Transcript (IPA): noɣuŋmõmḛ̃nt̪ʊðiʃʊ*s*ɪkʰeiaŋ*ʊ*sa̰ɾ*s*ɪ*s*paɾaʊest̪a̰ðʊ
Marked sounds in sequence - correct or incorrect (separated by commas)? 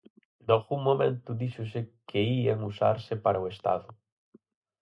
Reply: correct, incorrect, correct, incorrect